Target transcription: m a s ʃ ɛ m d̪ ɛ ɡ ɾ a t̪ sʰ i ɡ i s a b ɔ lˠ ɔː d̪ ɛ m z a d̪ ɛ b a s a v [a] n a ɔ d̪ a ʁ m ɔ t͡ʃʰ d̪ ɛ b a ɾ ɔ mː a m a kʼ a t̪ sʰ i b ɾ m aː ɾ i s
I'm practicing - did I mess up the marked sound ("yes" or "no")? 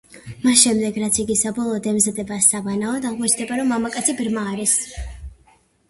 no